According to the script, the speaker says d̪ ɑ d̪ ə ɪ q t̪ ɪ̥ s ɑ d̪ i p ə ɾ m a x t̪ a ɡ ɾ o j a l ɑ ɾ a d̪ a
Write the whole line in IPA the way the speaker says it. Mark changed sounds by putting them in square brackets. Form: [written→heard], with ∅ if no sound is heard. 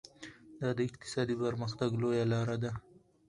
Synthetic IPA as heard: d̪ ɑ d̪ ə ɪ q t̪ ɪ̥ s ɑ d̪ i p ə ɾ m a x t̪ a ɡ [ɾ→l] o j a l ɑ ɾ a d̪ a